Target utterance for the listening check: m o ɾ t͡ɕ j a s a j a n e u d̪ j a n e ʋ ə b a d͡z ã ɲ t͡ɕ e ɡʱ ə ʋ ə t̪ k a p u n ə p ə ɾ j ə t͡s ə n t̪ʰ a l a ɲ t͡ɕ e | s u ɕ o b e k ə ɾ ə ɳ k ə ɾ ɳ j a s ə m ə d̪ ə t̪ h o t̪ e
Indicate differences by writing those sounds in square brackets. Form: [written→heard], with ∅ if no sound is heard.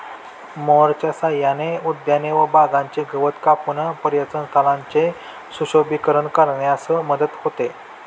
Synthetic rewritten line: m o ɾ t͡ɕ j a s a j a n e u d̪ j a n e ʋ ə b a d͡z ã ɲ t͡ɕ e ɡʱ ə ʋ ə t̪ k a p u n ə p ə ɾ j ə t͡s ə n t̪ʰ a l a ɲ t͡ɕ e | s u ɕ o b [e→i] k ə ɾ ə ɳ k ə ɾ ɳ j a s ə m ə d̪ ə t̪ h o t̪ e